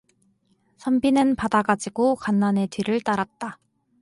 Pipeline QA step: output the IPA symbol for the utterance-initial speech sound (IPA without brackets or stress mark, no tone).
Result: sʰ